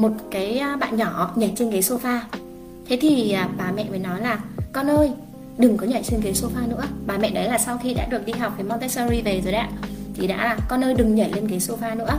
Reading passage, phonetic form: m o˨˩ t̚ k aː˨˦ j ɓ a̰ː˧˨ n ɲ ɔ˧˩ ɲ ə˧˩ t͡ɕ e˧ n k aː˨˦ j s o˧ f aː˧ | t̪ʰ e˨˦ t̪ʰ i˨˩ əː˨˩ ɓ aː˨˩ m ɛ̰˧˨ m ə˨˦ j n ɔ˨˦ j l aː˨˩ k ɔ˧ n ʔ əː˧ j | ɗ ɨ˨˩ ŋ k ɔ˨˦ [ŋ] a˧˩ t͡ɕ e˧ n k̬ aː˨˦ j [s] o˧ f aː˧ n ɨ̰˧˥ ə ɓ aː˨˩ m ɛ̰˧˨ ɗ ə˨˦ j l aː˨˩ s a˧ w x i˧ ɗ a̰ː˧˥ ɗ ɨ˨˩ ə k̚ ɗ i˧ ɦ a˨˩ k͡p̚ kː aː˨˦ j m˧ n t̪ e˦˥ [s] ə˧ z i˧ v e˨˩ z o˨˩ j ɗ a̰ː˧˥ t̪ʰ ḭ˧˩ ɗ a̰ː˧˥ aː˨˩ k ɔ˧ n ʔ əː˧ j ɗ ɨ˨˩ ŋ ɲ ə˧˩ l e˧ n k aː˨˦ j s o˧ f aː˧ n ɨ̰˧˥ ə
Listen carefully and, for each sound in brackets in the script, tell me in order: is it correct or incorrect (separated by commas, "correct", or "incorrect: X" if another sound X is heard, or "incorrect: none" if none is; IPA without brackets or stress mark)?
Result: incorrect: ɲ, correct, correct